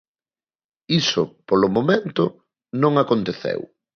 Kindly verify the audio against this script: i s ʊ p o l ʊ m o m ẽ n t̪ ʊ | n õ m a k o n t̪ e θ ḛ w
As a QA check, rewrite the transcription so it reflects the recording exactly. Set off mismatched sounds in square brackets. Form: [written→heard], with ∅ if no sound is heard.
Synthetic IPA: i s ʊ p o l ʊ m o m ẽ n t̪ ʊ | n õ [m→ŋ] a k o n t̪ e θ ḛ w